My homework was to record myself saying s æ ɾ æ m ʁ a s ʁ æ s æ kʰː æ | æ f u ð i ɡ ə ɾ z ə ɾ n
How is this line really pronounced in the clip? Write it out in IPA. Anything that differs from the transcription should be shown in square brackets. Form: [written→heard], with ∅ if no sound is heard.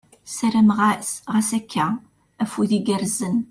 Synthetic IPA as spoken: s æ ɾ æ m ʁ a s ʁ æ s æ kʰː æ | æ f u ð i ɡ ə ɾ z ə [ɾ→∅] n